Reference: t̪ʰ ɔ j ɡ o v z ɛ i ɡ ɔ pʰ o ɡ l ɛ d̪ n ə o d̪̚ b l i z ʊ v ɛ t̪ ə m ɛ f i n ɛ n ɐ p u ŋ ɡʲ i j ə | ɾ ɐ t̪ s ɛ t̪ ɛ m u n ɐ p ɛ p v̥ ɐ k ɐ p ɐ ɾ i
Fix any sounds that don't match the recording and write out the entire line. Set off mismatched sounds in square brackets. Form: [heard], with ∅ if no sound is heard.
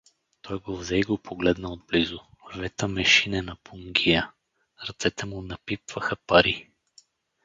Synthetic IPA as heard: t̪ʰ ɔ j ɡ o v z ɛ i ɡ [o] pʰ o ɡ l ɛ d̪ n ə o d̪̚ b l i z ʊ v ɛ t̪ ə m ɛ [ʃ] i n ɛ n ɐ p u ŋ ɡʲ i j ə | ɾ ɐ t̪ s ɛ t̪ ɛ m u n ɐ p [i] p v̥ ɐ [x] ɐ p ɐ ɾ i